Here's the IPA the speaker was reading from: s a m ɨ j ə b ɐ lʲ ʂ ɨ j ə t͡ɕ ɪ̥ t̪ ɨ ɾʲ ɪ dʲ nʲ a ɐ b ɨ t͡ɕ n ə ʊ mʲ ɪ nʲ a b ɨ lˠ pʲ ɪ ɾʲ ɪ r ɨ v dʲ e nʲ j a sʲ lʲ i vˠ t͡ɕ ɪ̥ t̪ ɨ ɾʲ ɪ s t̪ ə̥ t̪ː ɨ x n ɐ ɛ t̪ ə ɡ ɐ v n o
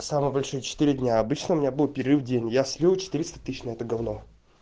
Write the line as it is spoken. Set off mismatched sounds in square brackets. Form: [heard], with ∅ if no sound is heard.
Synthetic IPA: s a m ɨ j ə b ɐ lʲ ʂ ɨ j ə t͡ɕ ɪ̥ t̪ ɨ ɾʲ ɪ dʲ nʲ a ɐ b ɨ t͡ɕ n ə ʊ mʲ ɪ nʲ a b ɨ lˠ pʲ ɪ ɾʲ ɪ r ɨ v dʲ e nʲ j a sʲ lʲ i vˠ t͡ɕ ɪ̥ t̪ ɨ ɾʲ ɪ s t̪ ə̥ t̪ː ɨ [ɕ] n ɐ ɛ t̪ ə ɡ ɐ v n o